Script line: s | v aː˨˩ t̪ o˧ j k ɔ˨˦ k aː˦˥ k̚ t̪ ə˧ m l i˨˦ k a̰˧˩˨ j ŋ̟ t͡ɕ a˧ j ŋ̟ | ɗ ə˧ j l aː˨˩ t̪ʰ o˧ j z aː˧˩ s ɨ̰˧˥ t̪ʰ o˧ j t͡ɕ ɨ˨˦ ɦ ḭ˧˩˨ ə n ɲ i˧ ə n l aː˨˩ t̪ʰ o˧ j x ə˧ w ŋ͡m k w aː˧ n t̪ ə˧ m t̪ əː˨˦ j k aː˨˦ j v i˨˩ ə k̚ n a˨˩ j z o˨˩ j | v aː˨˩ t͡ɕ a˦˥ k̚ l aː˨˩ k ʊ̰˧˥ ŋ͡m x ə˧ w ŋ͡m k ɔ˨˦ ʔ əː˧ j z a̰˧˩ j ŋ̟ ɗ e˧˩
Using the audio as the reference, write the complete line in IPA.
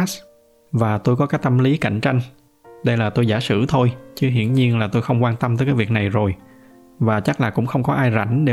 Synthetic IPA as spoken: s | v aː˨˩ t̪ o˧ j k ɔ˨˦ k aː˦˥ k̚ t̪ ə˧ m l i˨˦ k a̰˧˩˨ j ŋ̟ t͡ɕ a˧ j ŋ̟ | ɗ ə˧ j l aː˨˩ t̪ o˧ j z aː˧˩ s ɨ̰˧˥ t̪ʰ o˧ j t͡ɕ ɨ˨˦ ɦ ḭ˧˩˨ ə n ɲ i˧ ə n l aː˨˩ t̪ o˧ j x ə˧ w ŋ͡m k w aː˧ n t̪ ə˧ m t̪ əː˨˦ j k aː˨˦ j v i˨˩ ə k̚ n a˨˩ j z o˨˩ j | v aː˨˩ t͡ɕ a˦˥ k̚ l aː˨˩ k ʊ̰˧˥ ŋ͡m x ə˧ w ŋ͡m k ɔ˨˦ ʔ aː˧ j z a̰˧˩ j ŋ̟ ɗ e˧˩